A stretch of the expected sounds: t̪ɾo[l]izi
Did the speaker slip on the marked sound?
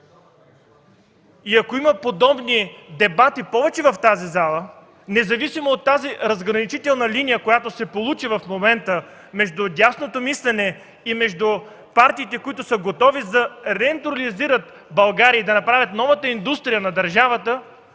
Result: no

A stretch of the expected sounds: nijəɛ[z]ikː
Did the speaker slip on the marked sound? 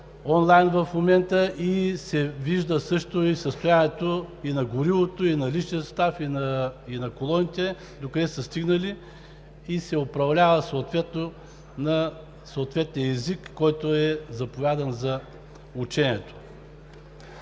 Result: no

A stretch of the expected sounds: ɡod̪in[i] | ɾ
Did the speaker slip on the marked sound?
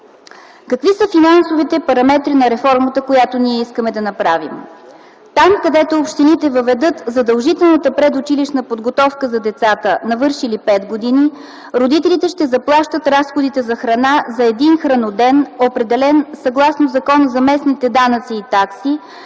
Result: no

